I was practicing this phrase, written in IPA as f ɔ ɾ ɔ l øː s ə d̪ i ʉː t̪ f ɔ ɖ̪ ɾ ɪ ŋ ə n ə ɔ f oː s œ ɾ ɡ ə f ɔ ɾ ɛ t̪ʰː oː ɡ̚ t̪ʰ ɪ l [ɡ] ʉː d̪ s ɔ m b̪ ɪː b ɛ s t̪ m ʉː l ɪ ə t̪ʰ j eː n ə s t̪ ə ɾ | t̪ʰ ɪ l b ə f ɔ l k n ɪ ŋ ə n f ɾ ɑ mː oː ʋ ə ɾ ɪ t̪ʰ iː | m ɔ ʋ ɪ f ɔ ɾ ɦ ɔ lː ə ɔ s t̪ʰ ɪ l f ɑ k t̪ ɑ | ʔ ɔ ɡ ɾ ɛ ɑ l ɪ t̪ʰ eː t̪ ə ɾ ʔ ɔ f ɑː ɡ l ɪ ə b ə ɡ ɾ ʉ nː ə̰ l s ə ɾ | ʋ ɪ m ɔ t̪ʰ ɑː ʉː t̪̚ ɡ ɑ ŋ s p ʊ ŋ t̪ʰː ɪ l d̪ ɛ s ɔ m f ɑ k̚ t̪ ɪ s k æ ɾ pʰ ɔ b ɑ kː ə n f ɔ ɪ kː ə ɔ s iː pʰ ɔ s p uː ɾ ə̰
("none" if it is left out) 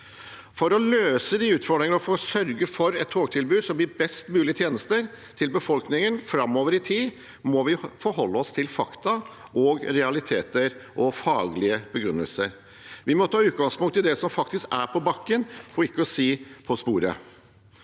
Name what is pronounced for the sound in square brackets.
b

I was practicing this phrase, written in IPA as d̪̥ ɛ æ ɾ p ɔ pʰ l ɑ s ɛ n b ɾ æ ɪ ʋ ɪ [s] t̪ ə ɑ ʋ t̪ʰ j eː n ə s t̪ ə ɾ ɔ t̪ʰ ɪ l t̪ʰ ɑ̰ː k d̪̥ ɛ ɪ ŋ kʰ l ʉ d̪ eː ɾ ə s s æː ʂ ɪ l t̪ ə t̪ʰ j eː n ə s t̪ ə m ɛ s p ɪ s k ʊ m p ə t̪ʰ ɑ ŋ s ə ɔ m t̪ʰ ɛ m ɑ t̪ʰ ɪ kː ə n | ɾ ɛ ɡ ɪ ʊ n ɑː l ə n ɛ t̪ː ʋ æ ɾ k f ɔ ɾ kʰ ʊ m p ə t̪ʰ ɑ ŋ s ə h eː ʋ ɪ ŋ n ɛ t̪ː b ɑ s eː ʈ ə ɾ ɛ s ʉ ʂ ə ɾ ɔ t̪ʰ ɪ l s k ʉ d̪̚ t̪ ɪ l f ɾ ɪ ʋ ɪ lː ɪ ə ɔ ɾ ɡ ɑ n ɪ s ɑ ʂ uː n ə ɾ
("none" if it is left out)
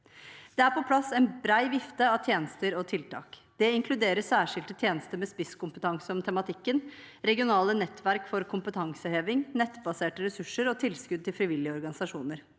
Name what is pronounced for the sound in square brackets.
f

